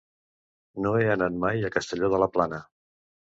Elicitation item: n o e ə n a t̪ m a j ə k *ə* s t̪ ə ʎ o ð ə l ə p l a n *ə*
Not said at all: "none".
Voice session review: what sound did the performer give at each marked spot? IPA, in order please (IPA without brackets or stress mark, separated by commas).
ə, ə